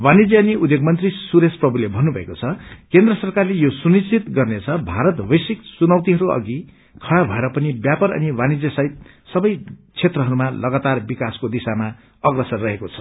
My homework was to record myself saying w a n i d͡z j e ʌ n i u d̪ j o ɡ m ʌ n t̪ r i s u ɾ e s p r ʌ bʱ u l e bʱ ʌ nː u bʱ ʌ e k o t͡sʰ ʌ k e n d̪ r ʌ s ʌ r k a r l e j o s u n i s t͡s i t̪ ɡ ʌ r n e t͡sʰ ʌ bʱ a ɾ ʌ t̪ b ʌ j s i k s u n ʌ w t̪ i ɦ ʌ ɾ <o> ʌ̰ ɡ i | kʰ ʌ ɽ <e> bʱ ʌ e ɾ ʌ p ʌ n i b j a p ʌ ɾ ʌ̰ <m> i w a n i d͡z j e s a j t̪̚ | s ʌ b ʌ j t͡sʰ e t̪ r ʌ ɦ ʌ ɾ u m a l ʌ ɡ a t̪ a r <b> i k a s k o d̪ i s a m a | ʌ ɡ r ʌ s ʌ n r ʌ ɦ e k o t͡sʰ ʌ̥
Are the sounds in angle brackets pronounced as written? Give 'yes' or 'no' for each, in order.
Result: no, no, no, yes

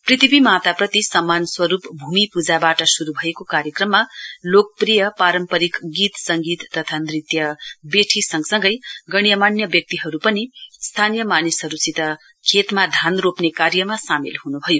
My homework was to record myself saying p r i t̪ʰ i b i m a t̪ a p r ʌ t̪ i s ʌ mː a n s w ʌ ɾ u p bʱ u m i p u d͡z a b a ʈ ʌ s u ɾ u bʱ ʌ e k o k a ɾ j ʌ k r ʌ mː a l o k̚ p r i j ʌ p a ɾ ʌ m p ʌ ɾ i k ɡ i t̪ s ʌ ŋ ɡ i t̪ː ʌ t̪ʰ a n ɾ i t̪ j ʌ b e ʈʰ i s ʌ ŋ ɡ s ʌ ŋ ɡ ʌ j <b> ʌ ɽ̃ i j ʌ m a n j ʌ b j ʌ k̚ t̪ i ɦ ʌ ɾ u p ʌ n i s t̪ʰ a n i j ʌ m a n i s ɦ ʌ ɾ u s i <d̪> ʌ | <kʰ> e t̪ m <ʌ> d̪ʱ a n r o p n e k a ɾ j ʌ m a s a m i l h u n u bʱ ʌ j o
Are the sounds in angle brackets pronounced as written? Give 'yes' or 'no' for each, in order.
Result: no, no, yes, no

